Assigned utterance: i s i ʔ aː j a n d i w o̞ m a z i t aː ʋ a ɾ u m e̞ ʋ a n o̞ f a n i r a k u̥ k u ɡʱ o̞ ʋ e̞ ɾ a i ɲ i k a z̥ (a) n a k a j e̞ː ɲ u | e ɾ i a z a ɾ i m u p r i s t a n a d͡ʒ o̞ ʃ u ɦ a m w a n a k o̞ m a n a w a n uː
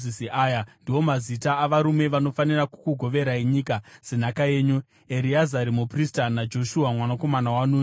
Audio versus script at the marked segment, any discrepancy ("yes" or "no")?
yes